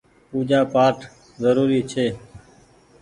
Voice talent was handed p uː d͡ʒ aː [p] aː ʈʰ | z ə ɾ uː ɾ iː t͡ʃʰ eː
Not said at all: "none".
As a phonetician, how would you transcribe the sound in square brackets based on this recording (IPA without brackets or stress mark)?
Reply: p